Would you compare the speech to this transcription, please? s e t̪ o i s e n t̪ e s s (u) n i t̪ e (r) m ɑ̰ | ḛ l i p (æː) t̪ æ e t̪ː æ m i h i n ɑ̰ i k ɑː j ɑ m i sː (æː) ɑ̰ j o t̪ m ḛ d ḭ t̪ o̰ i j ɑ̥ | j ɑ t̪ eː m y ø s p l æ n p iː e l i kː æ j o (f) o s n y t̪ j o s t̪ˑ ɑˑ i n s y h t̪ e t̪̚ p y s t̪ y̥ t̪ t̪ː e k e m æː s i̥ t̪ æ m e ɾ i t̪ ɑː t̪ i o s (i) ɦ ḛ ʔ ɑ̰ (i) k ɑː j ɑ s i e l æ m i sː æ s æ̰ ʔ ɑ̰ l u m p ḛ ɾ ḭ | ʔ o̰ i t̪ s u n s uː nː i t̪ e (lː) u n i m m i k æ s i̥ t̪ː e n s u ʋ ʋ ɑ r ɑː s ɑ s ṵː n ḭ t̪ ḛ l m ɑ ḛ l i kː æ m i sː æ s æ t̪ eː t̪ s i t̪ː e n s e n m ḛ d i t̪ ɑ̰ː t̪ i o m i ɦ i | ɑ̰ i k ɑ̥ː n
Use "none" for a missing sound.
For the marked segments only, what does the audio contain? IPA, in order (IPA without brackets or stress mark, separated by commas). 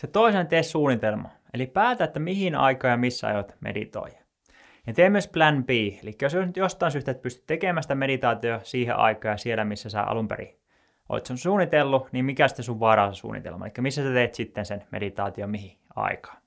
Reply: uː, l, æː, æ, s, iː, i, lː